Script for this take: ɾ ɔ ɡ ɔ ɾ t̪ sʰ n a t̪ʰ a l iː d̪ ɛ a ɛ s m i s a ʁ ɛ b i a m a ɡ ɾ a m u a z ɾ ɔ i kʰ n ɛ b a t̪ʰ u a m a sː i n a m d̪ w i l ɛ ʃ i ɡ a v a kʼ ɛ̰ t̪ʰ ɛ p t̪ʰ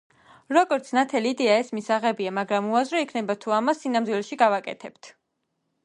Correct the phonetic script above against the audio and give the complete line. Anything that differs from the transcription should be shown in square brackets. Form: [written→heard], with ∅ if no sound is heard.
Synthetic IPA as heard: ɾ ɔ ɡ ɔ ɾ t̪ sʰ n a t̪ʰ [a→ɛ] l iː d̪ ɛ a ɛ s m i s a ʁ ɛ b i a m a ɡ ɾ a m u a z ɾ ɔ i kʰ n ɛ b a t̪ʰ u a m a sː i n a m d̪ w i l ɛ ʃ i ɡ a v a kʼ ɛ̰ t̪ʰ ɛ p t̪ʰ

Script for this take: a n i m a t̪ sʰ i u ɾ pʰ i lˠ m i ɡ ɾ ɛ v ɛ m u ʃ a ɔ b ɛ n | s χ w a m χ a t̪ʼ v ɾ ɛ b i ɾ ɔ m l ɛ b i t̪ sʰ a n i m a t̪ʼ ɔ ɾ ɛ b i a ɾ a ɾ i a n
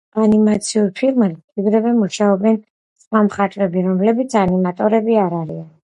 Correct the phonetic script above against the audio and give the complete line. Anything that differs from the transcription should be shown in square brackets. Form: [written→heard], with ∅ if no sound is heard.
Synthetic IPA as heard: a n i m a t̪ sʰ i u ɾ pʰ i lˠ m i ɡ ɾ ɛ v ɛ m u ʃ a ɔ b ɛ n | s χ w a m χ a t̪ʼ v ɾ ɛ b i ɾ ɔ m l ɛ b i t̪ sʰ a n i m a t̪ʼ ɔ ɾ ɛ b i a ɾ a ɾ i a n

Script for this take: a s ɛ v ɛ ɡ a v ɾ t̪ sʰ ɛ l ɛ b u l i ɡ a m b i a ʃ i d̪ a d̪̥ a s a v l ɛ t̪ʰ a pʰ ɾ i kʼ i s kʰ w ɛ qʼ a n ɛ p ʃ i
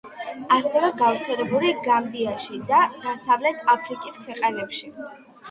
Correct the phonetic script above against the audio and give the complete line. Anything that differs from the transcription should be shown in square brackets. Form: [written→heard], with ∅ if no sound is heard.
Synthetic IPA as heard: a s ɛ v ɛ ɡ a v ɾ t̪ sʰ ɛ l ɛ b u l i ɡ a m b i a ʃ i d̪ a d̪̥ a s a v l ɛ t̪ʰ a pʰ ɾ i kʼ i s kʰ w ɛ qʼ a n ɛ p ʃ i

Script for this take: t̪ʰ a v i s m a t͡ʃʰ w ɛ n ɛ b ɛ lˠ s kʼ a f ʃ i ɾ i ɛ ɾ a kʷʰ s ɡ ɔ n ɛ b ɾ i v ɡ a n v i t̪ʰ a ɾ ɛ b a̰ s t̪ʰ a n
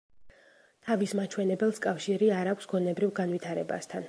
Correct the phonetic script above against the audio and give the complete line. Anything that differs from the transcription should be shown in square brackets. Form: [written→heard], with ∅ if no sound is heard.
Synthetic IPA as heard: t̪ʰ a v i s m a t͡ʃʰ w ɛ n ɛ b ɛ lˠ s kʼ a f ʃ i ɾ i [ɛ→a] ɾ a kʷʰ s ɡ ɔ n ɛ b ɾ i v ɡ a n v i t̪ʰ a ɾ ɛ b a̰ s t̪ʰ a n

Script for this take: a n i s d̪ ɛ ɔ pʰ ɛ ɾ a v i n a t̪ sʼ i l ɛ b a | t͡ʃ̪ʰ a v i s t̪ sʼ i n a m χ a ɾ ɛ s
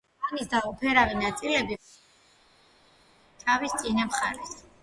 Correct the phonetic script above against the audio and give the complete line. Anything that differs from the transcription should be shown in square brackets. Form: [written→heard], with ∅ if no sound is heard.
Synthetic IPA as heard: a n i s d̪ [ɛ→a] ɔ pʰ ɛ ɾ a v i n a t̪ sʼ i l ɛ b [a→i] | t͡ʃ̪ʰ a v i s t̪ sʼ i n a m χ a ɾ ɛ s

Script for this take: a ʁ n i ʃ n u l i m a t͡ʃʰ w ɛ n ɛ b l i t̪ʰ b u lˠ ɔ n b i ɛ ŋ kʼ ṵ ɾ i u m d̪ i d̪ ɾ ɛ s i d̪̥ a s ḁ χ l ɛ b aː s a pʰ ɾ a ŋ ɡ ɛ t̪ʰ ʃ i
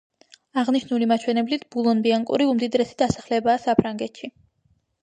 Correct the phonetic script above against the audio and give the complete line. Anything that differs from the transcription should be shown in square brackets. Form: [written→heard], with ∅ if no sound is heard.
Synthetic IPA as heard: a ʁ n i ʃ n u l i m a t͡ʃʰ w ɛ n ɛ b l i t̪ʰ b u lˠ ɔ n b i [ɛ→a] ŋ kʼ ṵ ɾ i u m d̪ i d̪ ɾ ɛ s i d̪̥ a s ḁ χ l ɛ b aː s a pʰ ɾ a ŋ ɡ ɛ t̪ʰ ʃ i

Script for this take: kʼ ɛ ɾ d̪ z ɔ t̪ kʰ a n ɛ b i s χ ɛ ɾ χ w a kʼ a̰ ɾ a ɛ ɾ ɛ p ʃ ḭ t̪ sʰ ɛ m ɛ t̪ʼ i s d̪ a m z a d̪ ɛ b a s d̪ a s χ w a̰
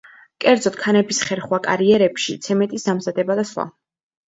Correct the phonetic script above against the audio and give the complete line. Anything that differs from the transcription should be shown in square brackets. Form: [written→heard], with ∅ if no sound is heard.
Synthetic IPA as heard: kʼ ɛ ɾ d̪ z ɔ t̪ kʰ a n ɛ b i s χ ɛ ɾ χ w a kʼ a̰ ɾ [a→i] ɛ ɾ ɛ p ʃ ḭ t̪ sʰ ɛ m ɛ t̪ʼ i s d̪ a m z a d̪ ɛ b a [s→∅] d̪ a s χ w a̰

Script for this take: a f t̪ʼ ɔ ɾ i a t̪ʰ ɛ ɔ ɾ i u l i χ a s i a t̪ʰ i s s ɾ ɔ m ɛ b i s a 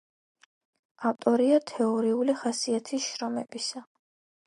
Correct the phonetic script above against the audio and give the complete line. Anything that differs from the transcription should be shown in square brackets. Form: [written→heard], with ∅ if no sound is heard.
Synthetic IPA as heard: a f t̪ʼ ɔ ɾ i a t̪ʰ ɛ ɔ ɾ i u l i χ a s i a t̪ʰ i s [s→ʃ] ɾ ɔ m ɛ b i s a

